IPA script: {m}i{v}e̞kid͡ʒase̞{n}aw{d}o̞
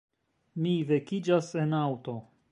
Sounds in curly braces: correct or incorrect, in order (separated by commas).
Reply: correct, correct, correct, incorrect